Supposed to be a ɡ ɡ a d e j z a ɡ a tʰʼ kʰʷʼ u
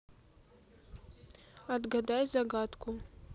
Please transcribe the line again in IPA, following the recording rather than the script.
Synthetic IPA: a d ɡ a d a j z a ɡ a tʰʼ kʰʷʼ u